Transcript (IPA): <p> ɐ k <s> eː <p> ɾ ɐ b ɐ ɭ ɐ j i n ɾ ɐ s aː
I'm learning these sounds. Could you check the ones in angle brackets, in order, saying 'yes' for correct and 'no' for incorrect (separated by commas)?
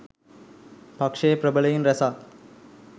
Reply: yes, no, yes